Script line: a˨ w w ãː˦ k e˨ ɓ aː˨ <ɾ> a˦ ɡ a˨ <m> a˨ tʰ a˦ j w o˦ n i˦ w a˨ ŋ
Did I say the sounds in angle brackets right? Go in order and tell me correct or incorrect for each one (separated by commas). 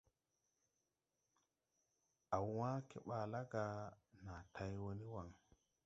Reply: incorrect, incorrect